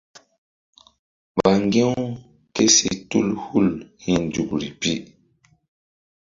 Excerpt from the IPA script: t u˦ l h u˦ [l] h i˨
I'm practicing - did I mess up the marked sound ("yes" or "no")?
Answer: no